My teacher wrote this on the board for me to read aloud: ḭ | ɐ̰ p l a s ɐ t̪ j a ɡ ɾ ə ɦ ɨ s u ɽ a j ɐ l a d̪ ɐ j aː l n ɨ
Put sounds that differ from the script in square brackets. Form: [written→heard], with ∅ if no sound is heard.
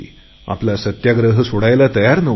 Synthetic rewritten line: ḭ | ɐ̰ p l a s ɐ t̪ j a ɡ ɾ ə ɦ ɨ s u ɽ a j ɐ l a [d̪→t̪] ɐ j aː [l→ɾ] n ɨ